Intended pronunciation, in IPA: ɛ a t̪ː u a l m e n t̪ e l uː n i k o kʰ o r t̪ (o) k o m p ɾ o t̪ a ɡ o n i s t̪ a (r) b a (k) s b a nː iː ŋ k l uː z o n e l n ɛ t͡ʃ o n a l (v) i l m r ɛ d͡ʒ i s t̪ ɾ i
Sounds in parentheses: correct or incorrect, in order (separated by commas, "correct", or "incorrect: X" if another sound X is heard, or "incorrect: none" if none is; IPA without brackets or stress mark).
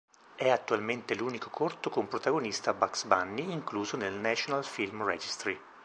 correct, incorrect: none, correct, incorrect: f